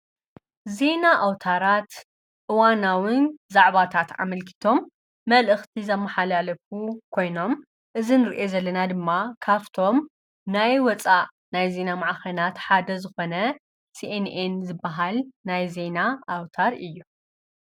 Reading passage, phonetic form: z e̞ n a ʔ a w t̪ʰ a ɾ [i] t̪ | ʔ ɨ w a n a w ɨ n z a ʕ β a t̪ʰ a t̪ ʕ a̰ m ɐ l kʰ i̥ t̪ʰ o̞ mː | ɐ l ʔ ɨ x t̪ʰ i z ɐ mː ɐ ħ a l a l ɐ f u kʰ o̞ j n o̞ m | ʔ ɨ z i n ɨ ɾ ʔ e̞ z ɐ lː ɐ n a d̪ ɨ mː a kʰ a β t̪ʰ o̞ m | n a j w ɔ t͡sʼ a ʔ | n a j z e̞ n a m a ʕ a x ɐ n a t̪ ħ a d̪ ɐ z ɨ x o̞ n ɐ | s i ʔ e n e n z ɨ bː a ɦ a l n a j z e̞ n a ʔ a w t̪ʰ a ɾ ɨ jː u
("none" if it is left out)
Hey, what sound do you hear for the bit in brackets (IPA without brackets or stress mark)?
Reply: a